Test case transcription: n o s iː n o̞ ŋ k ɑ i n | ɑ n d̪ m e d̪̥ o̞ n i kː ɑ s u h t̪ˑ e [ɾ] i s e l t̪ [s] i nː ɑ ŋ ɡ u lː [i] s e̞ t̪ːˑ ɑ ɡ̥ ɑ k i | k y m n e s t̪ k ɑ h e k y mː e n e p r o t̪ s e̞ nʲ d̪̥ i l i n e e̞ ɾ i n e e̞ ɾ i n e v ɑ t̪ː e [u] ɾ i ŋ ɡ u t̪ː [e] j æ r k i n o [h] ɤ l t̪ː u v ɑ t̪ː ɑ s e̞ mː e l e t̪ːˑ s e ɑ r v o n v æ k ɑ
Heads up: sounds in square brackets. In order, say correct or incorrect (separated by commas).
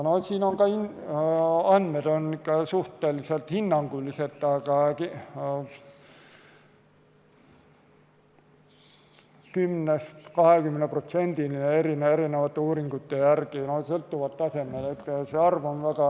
incorrect, incorrect, correct, incorrect, correct, incorrect